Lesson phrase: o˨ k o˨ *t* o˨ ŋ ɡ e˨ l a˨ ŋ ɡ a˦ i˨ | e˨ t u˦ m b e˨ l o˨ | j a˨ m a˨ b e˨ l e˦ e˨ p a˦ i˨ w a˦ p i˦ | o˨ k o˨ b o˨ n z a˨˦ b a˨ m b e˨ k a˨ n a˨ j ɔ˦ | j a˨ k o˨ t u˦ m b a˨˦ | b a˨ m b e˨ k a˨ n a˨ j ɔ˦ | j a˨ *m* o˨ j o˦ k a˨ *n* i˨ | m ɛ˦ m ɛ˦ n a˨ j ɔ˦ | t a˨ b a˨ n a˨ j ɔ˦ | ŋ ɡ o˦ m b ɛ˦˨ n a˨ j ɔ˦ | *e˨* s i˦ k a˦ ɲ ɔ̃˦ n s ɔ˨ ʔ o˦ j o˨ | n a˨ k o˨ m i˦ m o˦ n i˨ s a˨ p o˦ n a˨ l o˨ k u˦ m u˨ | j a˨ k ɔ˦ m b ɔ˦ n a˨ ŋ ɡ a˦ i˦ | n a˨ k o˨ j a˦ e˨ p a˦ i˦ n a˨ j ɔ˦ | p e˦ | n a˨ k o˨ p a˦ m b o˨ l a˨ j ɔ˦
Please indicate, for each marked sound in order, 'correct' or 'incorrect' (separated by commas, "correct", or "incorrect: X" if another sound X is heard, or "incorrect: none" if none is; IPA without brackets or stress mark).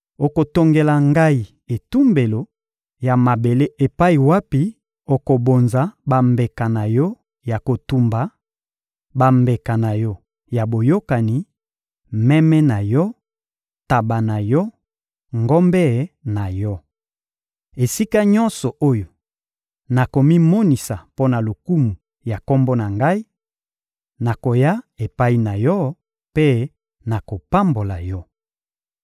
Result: correct, incorrect: b, correct, correct